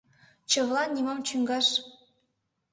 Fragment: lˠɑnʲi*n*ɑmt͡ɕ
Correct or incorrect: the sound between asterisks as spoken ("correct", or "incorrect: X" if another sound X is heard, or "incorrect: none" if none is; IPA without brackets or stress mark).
incorrect: m